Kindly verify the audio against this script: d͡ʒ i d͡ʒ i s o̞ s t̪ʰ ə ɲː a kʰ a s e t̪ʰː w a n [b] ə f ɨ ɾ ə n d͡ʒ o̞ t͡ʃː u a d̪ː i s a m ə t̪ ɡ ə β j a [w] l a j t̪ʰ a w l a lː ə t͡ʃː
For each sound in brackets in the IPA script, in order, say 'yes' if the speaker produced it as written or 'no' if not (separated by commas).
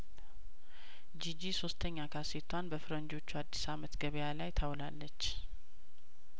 yes, no